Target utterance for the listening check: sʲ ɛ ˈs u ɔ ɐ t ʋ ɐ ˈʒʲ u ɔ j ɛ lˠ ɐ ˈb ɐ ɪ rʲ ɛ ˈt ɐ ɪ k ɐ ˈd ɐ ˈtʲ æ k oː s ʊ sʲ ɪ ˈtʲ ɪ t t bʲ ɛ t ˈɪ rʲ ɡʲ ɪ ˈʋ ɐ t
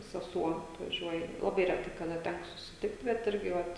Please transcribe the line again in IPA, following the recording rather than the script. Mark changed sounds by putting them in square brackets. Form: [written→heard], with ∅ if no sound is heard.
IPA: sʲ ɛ ˈs u ɔ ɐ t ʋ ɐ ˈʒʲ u ɔ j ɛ lˠ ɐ ˈb ɐ ɪ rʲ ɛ ˈt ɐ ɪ k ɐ ˈd ɐ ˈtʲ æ k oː s ʊ sʲ ɪ ˈtʲ ɪ [t→k] t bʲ ɛ t ˈɪ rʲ ɡʲ ɪ ˈʋ ɐ t